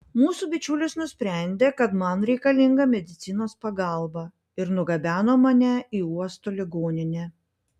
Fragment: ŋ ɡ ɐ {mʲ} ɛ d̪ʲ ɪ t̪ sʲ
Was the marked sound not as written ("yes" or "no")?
no